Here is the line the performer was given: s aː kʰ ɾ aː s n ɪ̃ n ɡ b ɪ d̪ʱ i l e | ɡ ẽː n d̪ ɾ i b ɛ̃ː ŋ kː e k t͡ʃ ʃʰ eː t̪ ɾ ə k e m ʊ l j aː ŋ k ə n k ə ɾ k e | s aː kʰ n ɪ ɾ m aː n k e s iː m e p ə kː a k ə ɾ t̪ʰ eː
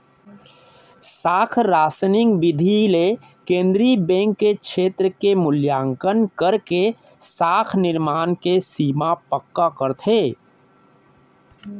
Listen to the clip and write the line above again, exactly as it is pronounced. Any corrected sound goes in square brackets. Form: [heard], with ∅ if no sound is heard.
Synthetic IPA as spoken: s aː kʰ ɾ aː s n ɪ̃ [ŋ] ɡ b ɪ d̪ʱ i l e | [k] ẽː n d̪ ɾ i b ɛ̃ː ŋ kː e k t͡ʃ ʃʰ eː t̪ ɾ ə k e m ʊ l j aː ŋ k ə n k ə ɾ k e | s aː kʰ n ɪ ɾ m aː n k e s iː m [a] p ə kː a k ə ɾ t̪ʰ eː